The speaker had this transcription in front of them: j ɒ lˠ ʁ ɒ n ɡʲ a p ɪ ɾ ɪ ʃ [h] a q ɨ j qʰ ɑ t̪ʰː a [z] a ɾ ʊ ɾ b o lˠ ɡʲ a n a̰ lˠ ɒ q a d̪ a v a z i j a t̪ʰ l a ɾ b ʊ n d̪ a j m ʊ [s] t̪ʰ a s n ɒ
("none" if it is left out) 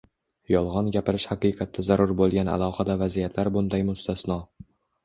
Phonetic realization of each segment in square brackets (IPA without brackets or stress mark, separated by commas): h, z, s